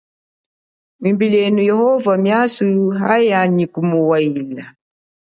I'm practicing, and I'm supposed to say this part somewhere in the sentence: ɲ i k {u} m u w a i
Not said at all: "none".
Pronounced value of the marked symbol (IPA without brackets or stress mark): u